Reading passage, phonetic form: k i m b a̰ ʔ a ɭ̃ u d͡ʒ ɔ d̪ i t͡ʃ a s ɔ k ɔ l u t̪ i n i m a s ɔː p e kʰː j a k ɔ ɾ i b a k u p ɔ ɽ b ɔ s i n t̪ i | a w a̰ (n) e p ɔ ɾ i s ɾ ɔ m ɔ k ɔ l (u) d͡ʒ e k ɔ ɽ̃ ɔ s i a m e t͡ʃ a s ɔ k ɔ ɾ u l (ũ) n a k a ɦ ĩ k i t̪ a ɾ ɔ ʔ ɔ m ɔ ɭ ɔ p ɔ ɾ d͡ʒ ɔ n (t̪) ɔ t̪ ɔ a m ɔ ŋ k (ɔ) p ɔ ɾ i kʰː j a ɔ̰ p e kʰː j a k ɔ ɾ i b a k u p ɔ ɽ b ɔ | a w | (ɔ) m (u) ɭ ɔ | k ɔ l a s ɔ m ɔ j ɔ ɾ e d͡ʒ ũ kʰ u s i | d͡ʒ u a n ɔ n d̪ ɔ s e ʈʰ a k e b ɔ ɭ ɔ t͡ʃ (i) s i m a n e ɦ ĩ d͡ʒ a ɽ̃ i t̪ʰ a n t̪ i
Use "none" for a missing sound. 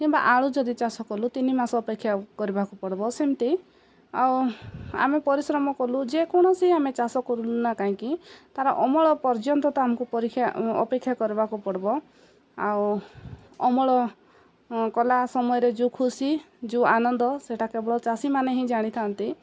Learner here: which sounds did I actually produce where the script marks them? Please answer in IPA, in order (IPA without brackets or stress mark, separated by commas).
m, u, u, t̪, u, ɔ, ɔ, a